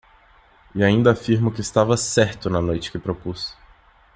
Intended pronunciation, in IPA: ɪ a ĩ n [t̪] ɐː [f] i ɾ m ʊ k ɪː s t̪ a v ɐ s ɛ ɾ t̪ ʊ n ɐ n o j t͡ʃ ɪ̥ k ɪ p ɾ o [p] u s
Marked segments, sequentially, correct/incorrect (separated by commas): incorrect, correct, correct